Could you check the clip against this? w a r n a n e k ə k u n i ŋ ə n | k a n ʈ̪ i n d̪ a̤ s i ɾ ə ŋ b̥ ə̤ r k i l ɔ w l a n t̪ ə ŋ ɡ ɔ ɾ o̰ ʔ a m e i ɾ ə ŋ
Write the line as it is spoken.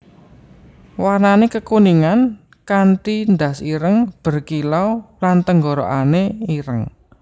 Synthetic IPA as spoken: w a r n a n e k ə k u n i ŋ a n | k a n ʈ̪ i n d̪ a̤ s i ɾ ə ŋ b̥ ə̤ r k i l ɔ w l a n t̪ ə ŋ ɡ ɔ ɾ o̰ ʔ a n e i ɾ ə ŋ